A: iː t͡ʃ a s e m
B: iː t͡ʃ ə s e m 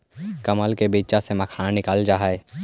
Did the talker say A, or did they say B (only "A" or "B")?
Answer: A